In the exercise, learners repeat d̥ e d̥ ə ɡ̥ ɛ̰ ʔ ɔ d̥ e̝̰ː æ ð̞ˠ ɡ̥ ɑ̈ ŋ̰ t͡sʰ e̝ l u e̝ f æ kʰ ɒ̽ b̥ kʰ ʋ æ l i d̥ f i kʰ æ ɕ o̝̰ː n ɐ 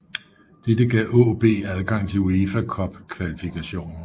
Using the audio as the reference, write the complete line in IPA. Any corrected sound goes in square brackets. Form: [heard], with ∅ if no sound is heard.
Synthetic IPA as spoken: d̥ e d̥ ə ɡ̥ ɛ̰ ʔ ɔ [b̥] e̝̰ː æ ð̞ˠ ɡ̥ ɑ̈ ŋ̰ t͡sʰ e̝ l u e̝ f æ kʰ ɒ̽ b̥ kʰ ʋ æ l i [∅] f i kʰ æ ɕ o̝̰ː n ɐ